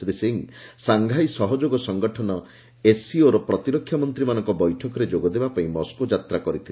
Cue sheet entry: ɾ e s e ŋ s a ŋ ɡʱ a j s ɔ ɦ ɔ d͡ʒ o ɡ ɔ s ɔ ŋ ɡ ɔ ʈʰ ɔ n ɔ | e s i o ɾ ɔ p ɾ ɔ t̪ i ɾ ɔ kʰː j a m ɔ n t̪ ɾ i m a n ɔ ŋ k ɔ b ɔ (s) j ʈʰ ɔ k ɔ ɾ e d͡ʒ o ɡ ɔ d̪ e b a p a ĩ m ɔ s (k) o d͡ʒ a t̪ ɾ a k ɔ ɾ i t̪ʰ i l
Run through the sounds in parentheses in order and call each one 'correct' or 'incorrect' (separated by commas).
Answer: incorrect, correct